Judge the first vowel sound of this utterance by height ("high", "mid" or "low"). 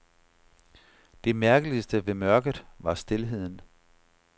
mid